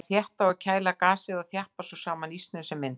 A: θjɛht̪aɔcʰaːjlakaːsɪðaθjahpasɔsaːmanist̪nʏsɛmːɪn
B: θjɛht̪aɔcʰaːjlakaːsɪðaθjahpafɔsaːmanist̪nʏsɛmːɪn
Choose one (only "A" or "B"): A